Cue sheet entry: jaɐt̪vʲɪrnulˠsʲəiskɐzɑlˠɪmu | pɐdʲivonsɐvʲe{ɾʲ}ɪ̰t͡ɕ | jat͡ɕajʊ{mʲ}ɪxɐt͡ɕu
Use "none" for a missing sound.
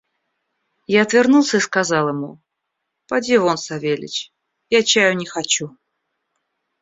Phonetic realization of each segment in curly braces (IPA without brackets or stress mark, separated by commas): lʲ, nʲ